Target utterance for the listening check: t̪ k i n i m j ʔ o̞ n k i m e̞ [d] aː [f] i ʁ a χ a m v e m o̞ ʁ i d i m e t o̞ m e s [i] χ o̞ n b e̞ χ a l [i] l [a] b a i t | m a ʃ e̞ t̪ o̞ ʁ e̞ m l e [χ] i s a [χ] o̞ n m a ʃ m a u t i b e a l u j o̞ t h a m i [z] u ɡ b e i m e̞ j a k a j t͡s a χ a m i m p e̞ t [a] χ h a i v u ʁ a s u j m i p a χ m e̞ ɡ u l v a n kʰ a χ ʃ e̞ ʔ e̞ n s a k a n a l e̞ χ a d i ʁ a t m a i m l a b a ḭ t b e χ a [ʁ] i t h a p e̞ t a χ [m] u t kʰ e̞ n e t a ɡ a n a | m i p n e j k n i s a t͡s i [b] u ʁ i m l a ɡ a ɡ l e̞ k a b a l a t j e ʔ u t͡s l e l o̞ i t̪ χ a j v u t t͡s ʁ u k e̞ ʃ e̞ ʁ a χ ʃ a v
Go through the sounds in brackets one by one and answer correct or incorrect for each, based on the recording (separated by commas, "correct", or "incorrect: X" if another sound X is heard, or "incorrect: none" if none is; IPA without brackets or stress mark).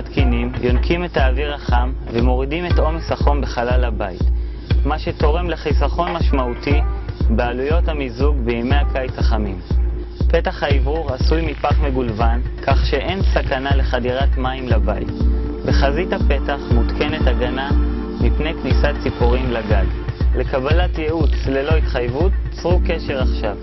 incorrect: t, incorrect: v, incorrect: a, incorrect: a, correct, correct, correct, correct, correct, incorrect: z, correct, incorrect: p